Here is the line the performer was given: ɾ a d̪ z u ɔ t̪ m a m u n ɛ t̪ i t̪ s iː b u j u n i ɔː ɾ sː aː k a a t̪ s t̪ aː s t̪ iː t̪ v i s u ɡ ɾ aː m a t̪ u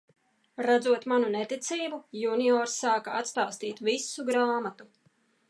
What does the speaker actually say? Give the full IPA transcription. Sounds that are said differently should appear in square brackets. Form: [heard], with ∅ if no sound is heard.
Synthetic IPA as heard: ɾ a d̪ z u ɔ t̪ m a [n] u n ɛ t̪ i t̪ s iː b u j u n i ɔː ɾ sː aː k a a t̪ s t̪ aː s t̪ iː t̪ v i s u ɡ ɾ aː m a t̪ u

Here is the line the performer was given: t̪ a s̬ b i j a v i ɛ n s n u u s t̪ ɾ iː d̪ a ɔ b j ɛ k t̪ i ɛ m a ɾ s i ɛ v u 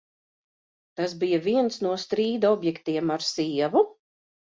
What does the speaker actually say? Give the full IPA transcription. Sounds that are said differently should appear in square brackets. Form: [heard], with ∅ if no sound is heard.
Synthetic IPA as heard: t̪ a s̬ b i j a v i ɛ n s n u [ɔ] s t̪ ɾ iː d̪ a ɔ b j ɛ k t̪ i ɛ m a ɾ s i ɛ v u

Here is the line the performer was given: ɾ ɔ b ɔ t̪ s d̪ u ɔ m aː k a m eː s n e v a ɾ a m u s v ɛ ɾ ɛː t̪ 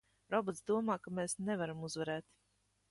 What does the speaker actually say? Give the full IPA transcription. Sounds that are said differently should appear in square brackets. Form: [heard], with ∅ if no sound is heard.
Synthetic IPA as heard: ɾ ɔ b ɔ t̪ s d̪ u ɔ m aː k a m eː s n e v a ɾ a m u [z] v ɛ ɾ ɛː t̪

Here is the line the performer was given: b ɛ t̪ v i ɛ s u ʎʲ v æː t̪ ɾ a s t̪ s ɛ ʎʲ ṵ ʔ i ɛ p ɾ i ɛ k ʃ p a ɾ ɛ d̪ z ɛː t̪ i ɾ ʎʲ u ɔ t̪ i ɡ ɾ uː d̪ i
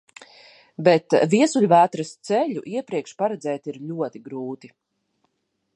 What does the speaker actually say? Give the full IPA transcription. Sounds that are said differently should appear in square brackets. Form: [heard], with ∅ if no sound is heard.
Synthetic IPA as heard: b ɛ t̪ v i ɛ s u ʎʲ v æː t̪ ɾ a s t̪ s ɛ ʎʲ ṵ ʔ i ɛ p ɾ i ɛ k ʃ p a ɾ ɛ d̪ z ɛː t̪ i ɾ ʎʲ u ɔ t̪ i ɡ ɾ uː [t̪] i

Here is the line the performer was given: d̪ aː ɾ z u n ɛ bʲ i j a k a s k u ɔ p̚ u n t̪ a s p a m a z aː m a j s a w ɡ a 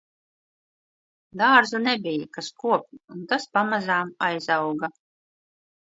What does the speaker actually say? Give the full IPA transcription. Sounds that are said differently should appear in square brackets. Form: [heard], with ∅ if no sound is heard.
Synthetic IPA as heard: d̪ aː ɾ z u n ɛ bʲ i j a k a s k u ɔ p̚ u n t̪ a s p a m a z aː m a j [z] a w ɡ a

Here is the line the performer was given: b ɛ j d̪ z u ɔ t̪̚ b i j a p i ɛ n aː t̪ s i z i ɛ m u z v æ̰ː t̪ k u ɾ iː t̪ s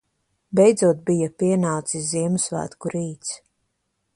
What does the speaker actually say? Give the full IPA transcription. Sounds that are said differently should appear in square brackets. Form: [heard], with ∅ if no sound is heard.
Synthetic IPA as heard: b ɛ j d̪ z u ɔ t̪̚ b i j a p i ɛ n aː t̪ s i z i ɛ m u [s] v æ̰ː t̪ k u ɾ iː t̪ s

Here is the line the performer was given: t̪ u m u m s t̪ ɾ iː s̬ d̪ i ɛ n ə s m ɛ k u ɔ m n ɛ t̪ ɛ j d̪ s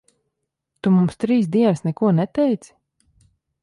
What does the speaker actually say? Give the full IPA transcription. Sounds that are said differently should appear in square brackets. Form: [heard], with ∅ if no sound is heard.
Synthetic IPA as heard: t̪ u m u m s t̪ ɾ iː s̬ d̪ i ɛ n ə s [n] ɛ k u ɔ [∅] n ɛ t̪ ɛ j [t̪] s

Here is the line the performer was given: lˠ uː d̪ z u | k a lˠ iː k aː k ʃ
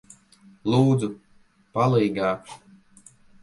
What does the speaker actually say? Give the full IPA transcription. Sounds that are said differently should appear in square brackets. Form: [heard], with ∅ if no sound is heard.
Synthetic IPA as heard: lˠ uː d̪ z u | [p] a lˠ iː [ɡ] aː k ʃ

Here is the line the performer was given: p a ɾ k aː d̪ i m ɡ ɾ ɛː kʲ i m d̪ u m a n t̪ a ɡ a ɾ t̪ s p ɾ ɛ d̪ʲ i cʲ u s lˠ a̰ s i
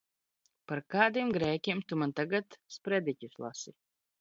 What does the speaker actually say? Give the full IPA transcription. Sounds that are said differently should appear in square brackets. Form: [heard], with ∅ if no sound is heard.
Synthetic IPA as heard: p a ɾ k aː d̪ i m ɡ ɾ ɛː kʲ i m [t̪] u m a n t̪ a ɡ a [∅] t̪ s p ɾ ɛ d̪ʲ i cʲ u s lˠ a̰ s i

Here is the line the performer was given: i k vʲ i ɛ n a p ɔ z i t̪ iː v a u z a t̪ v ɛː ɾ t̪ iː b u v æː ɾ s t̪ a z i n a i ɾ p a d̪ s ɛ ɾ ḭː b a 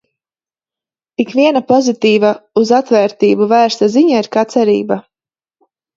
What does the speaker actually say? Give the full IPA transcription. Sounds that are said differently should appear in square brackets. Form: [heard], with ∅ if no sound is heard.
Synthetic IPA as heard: i k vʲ i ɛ n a p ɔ z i t̪ iː v a u z a t̪ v ɛː ɾ t̪ iː b u v æː ɾ s t̪ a z i [ɲ] a i ɾ [k] a [t̪] s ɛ ɾ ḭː b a

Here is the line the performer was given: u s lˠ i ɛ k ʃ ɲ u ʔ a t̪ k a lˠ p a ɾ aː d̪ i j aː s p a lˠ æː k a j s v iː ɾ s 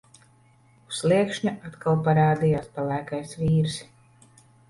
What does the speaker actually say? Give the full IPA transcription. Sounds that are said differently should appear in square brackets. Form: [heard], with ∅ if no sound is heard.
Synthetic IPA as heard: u s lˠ i ɛ k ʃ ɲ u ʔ a t̪ k a lˠ p a ɾ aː d̪ i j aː s p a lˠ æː k a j s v iː ɾ s

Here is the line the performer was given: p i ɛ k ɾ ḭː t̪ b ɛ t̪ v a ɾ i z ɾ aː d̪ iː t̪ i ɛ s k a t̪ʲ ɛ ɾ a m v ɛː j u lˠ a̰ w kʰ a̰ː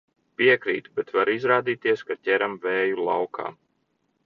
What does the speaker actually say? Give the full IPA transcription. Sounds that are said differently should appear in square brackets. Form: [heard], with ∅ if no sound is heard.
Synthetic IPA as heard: p i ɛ k ɾ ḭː t̪ b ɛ t̪ v a ɾ i z ɾ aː d̪ iː t̪ i ɛ s k a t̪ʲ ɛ ɾ a m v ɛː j u lˠ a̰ w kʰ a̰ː

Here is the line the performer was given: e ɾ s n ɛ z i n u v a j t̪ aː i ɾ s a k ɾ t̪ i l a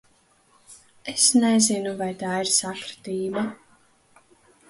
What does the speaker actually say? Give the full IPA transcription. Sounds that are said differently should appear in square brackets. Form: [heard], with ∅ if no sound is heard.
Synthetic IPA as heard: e [∅] s n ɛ z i n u v a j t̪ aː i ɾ s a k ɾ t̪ [iː] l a

